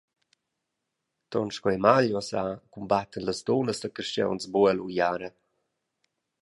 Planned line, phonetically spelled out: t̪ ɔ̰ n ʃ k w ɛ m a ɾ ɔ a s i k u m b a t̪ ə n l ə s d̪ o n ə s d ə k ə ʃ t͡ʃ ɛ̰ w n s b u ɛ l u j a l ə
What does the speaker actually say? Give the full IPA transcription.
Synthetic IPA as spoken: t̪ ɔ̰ n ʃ k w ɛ m a ʎ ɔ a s a k u m b a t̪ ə n l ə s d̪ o n ə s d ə k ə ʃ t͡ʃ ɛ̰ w n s b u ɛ l u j a ɾ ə